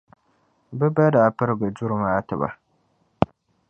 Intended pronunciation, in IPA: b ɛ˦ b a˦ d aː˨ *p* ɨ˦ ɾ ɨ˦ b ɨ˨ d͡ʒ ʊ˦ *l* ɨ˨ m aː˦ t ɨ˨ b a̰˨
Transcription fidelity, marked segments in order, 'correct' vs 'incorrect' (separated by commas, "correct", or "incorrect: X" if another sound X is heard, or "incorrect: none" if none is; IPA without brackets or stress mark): correct, incorrect: ɾ